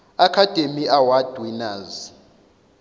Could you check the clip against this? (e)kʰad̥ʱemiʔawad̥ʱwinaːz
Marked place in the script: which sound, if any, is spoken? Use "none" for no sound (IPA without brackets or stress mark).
a